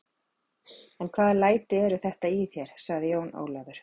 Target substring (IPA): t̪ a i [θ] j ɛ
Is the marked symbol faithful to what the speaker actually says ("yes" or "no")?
yes